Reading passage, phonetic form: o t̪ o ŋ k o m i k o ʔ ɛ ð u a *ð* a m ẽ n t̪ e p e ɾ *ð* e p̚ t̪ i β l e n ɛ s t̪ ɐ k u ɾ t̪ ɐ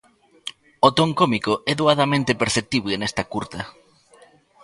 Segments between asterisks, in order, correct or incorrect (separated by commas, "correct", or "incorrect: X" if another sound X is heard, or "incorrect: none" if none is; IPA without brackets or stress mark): correct, incorrect: θ